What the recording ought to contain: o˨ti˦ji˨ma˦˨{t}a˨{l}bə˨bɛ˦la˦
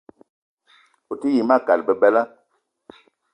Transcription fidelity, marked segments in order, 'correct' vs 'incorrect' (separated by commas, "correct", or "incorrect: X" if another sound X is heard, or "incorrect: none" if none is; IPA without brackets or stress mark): incorrect: k, correct